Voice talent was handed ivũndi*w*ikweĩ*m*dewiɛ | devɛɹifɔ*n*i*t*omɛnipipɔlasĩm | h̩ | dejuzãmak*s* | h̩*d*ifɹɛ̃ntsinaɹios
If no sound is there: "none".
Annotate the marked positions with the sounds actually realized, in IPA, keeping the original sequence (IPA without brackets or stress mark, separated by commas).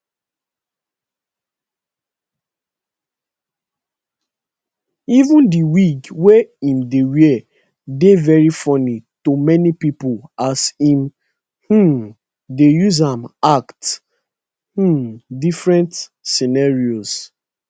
w, m, n, t, t, d